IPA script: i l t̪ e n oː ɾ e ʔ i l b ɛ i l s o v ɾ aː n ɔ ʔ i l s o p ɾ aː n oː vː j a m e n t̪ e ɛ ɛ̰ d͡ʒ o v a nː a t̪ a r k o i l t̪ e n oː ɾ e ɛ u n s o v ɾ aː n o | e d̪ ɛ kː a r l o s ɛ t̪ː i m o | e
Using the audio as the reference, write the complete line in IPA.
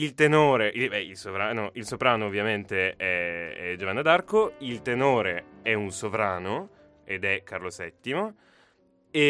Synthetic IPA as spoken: i l t̪ e n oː ɾ e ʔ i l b ɛ i l s o v ɾ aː n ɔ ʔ i l s o p ɾ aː n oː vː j a m e n t̪ e ɛ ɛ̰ d͡ʒ o v a nː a d̪ a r k o i l t̪ e n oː ɾ e ɛ u n s o v ɾ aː n o | e d̪ ɛ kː a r l o s ɛ t̪ː i m o | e